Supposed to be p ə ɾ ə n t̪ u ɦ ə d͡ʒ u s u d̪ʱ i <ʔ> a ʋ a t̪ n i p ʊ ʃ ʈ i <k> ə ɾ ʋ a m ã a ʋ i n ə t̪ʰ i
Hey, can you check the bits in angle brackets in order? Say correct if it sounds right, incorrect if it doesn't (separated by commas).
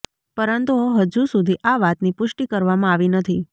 correct, correct